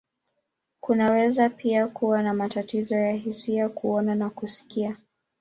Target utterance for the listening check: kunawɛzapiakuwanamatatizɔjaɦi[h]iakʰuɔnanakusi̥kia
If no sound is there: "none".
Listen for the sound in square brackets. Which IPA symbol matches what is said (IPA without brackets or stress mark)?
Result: s